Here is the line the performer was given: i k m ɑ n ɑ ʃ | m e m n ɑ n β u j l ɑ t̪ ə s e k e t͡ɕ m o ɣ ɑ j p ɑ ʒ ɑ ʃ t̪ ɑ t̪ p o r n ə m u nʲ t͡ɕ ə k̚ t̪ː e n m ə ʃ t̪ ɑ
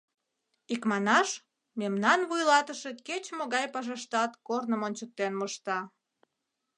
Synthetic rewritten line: i k m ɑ n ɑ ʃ | m e m n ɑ n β u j l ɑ t̪ ə ʃ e k e t͡ɕ m o ɣ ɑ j p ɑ ʒ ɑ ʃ t̪ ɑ t̪ k o r n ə m o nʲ t͡ɕ ə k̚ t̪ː e n m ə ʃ t̪ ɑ